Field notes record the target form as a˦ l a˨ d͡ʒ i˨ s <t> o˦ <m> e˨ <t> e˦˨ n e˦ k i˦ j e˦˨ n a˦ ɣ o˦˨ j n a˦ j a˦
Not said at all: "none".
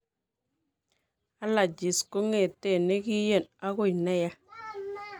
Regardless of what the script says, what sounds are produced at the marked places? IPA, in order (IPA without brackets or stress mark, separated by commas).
k, ŋ, t